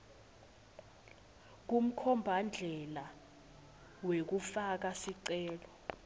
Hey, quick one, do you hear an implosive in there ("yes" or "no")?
no